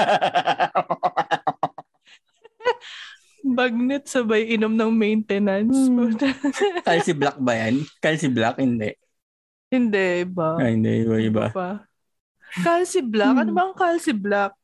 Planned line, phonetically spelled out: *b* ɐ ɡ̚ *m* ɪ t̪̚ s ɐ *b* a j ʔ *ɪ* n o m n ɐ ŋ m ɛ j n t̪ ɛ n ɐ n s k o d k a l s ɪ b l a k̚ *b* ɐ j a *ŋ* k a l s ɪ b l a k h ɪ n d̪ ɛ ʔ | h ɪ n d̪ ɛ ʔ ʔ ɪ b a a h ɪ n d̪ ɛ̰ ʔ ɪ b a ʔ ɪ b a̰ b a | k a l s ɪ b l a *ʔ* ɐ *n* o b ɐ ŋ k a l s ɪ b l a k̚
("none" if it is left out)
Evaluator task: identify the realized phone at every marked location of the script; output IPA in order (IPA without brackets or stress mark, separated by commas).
b, n, b, ɪ, b, n, k, n